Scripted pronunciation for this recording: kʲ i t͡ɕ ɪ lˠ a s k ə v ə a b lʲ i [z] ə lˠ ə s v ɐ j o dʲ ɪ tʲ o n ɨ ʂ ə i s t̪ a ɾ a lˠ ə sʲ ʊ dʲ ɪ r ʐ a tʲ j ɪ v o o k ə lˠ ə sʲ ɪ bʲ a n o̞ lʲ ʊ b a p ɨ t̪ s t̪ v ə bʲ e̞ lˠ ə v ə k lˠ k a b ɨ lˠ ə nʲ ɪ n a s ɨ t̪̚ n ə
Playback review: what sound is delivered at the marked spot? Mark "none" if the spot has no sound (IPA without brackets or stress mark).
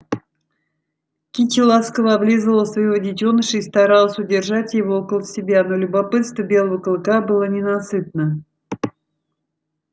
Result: z